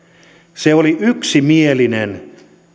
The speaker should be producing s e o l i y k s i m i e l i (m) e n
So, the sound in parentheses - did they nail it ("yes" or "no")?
no